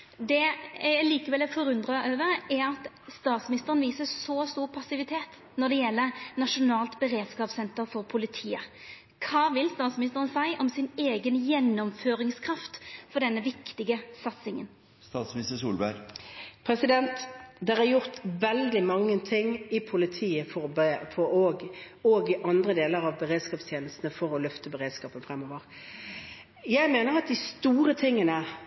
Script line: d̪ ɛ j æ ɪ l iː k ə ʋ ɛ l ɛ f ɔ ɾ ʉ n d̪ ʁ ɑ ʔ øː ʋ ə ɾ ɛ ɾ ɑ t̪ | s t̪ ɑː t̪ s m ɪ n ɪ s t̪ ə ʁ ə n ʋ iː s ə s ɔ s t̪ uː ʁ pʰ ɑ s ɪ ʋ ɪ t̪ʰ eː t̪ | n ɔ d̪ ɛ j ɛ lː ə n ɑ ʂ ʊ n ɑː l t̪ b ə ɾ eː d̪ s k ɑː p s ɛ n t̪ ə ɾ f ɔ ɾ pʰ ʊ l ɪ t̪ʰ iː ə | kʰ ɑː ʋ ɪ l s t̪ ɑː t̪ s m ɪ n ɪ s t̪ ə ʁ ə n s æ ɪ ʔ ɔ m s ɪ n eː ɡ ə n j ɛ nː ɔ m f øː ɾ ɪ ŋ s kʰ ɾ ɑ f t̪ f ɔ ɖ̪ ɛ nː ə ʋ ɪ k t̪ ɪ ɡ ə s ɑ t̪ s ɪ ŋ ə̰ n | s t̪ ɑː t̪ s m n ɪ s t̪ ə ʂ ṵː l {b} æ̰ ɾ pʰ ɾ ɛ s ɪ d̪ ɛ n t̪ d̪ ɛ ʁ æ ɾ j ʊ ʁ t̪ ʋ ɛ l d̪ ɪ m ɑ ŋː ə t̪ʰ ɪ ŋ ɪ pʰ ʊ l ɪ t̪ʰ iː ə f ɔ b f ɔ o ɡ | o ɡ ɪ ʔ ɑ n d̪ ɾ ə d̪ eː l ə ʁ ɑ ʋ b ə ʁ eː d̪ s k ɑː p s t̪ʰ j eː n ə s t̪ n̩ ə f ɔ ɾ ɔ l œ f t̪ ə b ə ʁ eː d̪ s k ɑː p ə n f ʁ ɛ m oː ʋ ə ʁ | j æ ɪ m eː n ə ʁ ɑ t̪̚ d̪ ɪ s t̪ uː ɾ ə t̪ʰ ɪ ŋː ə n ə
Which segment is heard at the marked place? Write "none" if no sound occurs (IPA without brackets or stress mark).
b